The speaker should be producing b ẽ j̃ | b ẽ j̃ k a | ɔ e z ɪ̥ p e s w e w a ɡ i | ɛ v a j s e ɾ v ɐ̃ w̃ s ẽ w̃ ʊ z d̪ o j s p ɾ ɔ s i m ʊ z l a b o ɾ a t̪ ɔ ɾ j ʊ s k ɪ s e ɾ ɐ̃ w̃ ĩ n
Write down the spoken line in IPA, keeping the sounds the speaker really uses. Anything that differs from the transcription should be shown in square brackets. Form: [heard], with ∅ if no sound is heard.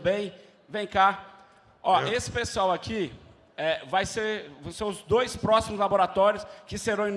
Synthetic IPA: b ẽ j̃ | [v] ẽ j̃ k a | ɔ e [s] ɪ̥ p e s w [a] w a [k] i | ɛ v a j s e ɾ v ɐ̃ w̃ s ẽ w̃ ʊ z d̪ o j s p ɾ ɔ s i m ʊ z l a b o ɾ a t̪ ɔ ɾ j ʊ s k ɪ s e ɾ ɐ̃ w̃ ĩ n